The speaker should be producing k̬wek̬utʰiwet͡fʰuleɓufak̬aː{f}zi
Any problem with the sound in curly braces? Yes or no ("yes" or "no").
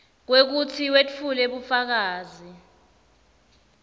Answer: yes